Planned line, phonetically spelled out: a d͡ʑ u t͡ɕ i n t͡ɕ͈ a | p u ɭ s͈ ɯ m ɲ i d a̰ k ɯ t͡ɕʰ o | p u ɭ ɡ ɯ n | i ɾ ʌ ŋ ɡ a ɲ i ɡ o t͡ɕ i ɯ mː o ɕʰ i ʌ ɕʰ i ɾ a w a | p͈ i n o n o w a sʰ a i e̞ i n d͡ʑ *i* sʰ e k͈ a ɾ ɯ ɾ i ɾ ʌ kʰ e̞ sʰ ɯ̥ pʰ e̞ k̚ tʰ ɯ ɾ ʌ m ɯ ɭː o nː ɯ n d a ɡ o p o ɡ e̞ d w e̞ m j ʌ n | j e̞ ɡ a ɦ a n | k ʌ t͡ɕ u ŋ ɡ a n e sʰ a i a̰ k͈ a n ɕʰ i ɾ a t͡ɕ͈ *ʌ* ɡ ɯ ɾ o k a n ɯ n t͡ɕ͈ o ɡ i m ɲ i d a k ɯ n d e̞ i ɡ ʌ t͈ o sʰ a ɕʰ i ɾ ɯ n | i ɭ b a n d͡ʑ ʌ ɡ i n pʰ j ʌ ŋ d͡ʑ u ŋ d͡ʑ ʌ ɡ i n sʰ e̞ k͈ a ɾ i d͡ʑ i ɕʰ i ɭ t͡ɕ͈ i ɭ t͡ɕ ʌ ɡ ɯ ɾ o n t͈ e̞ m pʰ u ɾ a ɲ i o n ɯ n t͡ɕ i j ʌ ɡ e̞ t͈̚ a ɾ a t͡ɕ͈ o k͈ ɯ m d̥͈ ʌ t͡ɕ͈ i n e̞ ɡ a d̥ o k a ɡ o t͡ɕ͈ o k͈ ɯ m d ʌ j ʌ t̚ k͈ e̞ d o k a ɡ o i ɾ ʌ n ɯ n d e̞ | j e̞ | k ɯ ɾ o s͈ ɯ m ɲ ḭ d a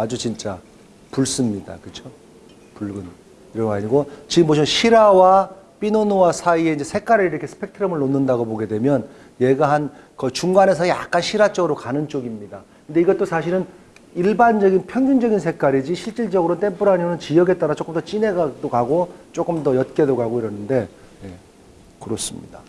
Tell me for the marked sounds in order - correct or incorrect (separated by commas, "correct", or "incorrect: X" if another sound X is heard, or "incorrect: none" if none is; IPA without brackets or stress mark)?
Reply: incorrect: e, correct